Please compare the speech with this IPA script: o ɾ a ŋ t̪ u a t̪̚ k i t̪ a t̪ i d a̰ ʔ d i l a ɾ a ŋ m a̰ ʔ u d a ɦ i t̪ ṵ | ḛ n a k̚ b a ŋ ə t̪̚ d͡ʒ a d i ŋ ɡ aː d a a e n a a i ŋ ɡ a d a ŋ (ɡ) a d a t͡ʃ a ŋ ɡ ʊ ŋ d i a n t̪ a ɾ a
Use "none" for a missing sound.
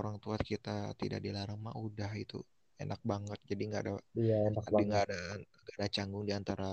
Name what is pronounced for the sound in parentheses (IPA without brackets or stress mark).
ɡ